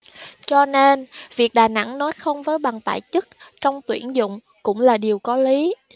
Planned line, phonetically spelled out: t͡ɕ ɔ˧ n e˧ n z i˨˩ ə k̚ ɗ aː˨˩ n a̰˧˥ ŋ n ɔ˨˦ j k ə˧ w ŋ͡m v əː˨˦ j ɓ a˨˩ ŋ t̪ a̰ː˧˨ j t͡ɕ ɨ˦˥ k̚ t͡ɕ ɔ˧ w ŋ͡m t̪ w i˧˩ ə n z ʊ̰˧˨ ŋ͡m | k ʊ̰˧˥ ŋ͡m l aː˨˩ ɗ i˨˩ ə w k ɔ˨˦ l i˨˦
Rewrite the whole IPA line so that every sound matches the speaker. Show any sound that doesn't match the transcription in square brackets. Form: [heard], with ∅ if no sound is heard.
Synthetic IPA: t͡ɕ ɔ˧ n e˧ n [v] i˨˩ ə k̚ ɗ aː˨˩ n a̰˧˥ ŋ n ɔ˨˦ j [x] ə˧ w ŋ͡m v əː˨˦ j ɓ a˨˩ ŋ t̪ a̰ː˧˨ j t͡ɕ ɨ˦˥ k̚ t͡ɕ ɔ˧ w ŋ͡m t̪ w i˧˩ ə n z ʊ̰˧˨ ŋ͡m | k ʊ̰˧˥ ŋ͡m l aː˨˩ ɗ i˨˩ ə w k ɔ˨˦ l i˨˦